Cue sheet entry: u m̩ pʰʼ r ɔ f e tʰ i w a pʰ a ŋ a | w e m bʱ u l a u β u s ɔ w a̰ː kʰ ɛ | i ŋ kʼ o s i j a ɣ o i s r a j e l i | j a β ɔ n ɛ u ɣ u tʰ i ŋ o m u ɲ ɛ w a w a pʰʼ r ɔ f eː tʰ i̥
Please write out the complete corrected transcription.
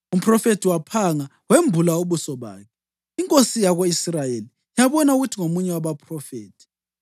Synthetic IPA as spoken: u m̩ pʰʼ r ɔ f e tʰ i w a pʰ a ŋ a | w e m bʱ u l a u β u s ɔ β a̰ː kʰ ɛ | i ŋ kʼ o s i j a ɣ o i s r a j e l i | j a β ɔ n a u ɣ u tʰ i ŋ o m u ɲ ɛ w a β a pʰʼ r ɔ f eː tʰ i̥